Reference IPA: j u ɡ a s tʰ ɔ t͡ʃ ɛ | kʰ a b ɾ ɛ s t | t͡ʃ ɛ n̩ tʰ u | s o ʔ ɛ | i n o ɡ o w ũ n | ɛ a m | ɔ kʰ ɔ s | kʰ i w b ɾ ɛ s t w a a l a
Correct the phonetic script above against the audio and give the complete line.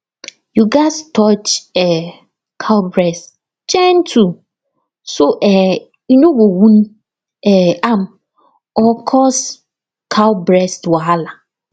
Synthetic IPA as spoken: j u ɡ a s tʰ ɔ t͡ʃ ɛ | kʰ a b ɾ ɛ s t | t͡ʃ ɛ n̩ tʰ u | s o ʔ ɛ | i n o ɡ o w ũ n | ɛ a m | ɔ kʰ ɔ s | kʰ a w b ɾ ɛ s t w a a l a